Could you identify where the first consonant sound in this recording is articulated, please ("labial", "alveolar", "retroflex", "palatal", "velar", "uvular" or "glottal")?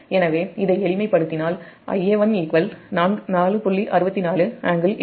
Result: alveolar